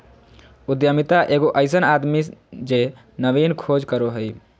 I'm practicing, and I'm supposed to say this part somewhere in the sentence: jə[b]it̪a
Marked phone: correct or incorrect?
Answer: incorrect